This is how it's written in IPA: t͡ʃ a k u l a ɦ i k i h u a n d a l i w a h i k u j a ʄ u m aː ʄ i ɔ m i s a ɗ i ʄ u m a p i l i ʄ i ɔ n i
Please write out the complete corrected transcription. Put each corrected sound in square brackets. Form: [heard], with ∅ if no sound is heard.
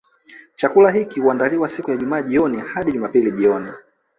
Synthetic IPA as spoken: t͡ʃ a k u l a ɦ i k i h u a n d a l i w a [s] i k u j a ʄ u m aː ʄ i ɔ [n] i [h] a ɗ i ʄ u m a p i l i ʄ i ɔ n i